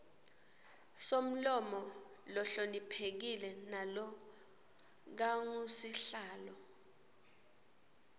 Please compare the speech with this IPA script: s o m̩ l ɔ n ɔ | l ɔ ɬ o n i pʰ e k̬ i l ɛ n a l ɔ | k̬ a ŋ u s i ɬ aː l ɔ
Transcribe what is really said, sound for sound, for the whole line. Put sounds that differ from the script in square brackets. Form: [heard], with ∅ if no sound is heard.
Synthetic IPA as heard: s o m̩ l ɔ [m] ɔ | l ɔ ɬ o n i pʰ e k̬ i l ɛ n a l ɔ | k̬ a ŋ u s i ɬ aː l ɔ